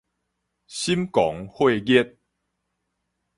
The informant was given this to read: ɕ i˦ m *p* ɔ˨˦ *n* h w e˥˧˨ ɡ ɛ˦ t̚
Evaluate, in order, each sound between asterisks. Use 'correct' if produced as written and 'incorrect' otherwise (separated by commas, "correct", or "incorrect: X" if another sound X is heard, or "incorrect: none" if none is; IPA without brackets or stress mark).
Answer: incorrect: k, incorrect: ŋ